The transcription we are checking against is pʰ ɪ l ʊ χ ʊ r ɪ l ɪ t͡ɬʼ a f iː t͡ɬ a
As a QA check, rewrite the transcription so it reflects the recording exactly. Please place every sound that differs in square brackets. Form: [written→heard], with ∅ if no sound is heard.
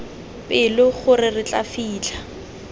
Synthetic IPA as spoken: [pʰ→p] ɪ l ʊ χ ʊ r ɪ [l→r] ɪ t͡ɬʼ a f iː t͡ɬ a

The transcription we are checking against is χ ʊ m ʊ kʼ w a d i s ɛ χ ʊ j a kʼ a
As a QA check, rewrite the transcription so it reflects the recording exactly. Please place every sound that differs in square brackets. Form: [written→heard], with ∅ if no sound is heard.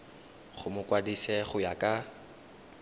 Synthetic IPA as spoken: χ ʊ m ʊ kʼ w a d i s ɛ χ ʊ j a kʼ a

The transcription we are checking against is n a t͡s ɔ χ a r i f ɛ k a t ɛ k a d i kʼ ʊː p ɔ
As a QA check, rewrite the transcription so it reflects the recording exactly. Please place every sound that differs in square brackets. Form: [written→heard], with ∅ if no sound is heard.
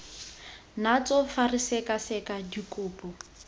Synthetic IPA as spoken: n a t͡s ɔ [χ→f] a r i [f→s] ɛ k a [t→s] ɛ k a d i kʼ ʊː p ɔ

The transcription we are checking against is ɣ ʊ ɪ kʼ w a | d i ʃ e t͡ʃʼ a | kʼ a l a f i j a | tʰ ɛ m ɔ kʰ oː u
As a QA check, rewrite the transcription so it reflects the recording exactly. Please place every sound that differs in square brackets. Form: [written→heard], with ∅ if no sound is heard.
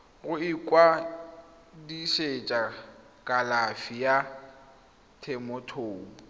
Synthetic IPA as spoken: ɣ ʊ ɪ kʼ w a | d i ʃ e t͡ʃʼ a | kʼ a l a f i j a | tʰ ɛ m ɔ [kʰ→tʰ] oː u

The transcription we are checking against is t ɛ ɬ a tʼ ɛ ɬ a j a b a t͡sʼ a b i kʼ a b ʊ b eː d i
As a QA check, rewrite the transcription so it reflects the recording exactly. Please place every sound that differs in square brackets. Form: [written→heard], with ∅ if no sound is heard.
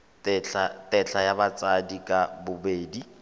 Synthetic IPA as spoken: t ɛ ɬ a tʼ ɛ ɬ a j a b a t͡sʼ a [b→d] i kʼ a b ʊ b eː d i

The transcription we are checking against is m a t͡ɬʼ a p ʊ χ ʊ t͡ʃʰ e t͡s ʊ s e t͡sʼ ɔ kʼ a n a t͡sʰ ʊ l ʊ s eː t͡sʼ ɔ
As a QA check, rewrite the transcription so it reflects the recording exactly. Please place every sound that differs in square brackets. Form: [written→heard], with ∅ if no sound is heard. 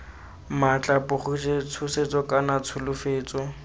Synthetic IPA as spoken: m a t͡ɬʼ a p ʊ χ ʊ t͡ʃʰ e [t͡s→t͡sʰ] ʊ s e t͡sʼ ɔ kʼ a n a t͡sʰ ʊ l ʊ [s→f] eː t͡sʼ ɔ

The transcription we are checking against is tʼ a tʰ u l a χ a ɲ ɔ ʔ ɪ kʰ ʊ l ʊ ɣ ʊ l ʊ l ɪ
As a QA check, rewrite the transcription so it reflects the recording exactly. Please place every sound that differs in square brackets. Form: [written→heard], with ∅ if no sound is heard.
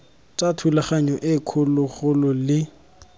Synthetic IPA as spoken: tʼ a tʰ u l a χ a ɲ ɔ ʔ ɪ kʰ ʊ l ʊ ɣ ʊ l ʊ l ɪ

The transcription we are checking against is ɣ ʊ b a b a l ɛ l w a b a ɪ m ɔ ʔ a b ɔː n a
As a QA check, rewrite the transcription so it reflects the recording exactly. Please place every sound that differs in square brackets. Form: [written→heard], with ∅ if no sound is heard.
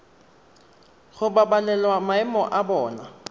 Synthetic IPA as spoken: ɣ ʊ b a b a l ɛ l w a [b→m] a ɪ m ɔ ʔ a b ɔː n a

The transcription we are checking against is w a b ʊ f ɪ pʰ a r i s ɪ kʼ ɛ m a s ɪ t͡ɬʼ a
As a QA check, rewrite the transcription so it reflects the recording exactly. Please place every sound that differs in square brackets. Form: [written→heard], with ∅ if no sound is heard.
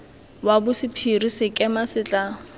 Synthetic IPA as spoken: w a b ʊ [f→s] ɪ pʰ [a→i] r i s ɪ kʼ ɛ m a s ɪ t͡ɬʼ a

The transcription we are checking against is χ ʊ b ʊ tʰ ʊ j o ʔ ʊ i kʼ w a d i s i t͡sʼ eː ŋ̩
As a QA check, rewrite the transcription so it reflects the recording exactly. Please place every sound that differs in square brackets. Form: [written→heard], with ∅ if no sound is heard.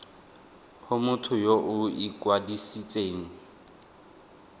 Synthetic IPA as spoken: [χ→h] ʊ [b→m] ʊ tʰ ʊ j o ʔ ʊ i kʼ w a d i s i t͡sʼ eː ŋ̩

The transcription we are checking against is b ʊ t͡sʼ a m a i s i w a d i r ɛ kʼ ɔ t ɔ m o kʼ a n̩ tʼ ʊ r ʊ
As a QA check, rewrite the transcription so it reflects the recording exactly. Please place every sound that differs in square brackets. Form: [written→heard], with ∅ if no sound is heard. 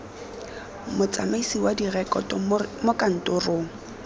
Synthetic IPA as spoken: [b→m] ʊ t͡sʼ a m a i s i w a d i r ɛ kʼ ɔ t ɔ m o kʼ a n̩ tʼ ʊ r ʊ

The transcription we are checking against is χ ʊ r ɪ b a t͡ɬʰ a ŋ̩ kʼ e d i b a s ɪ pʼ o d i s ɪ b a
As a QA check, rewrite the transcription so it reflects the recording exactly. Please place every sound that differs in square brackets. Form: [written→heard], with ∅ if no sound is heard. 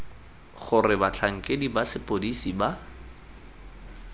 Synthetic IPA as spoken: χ ʊ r ɪ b a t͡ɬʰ a ŋ̩ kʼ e d i b a s ɪ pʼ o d i s [ɪ→i] b a

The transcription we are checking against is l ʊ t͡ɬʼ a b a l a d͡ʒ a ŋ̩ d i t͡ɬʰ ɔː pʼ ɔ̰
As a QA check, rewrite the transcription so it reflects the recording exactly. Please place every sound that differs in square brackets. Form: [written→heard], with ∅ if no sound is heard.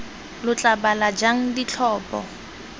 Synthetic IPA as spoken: l ʊ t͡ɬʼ a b a l a d͡ʒ a ŋ̩ d i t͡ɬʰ ɔː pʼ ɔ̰

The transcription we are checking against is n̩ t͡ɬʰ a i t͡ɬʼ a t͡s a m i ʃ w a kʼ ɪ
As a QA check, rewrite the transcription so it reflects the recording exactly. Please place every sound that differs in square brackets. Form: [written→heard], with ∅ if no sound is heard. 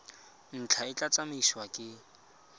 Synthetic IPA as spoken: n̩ t͡ɬʰ a [i→ɪ] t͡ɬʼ a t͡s a m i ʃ w a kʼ ɪ

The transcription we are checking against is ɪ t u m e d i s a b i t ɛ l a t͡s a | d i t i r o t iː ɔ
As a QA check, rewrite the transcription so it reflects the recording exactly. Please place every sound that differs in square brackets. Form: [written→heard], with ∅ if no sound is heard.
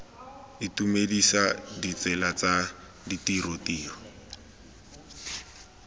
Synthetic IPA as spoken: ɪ t u m e d i s a [b→d] i [t→t͡s] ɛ l a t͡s a | d i t i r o t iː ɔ

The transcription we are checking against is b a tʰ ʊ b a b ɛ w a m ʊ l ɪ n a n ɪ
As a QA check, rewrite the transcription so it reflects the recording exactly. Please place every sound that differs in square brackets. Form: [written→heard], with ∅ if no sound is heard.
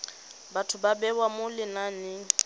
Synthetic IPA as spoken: b a tʰ ʊ b a b ɛ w a m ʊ l ɪ n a n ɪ

